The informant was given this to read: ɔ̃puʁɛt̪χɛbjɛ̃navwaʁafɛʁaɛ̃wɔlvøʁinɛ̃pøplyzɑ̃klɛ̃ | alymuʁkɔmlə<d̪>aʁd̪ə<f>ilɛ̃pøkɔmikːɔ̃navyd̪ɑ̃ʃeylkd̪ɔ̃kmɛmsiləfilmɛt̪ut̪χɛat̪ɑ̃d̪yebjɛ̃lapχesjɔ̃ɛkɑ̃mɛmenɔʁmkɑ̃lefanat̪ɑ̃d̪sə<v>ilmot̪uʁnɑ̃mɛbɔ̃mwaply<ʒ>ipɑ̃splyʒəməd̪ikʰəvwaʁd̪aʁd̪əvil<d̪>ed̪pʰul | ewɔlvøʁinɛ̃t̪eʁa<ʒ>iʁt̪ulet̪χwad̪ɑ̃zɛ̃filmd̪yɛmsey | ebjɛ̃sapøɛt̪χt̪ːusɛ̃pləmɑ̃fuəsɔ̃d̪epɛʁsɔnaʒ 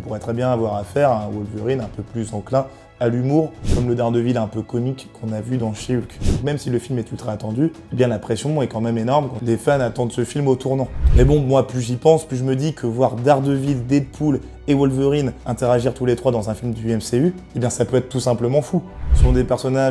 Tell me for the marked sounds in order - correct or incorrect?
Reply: correct, incorrect, incorrect, correct, correct, correct

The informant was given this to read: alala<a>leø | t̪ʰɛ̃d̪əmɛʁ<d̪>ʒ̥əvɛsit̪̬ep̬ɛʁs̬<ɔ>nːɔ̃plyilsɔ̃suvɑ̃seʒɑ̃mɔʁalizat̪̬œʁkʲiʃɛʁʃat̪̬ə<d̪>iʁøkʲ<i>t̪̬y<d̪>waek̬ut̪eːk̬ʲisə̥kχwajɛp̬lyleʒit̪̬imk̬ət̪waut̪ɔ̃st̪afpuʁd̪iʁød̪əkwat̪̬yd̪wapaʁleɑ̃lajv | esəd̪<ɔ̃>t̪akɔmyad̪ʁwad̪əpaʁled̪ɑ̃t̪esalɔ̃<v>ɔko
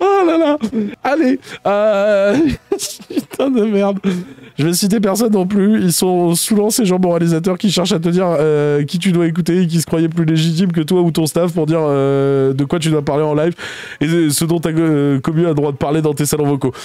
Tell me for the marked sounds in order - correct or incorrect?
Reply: correct, correct, correct, correct, correct, correct, correct, correct

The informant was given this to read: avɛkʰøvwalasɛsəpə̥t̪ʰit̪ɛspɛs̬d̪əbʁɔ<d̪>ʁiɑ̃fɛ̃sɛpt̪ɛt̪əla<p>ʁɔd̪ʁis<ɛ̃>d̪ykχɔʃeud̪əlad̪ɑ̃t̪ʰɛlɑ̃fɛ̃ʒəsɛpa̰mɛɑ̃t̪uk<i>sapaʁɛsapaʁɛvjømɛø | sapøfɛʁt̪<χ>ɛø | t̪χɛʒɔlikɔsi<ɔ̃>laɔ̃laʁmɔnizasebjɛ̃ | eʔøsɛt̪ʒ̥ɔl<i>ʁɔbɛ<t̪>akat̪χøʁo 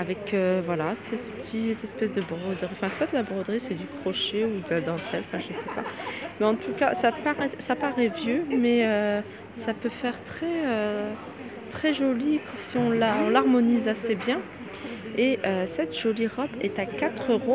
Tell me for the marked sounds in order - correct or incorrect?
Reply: correct, incorrect, incorrect, incorrect, correct, correct, correct, correct

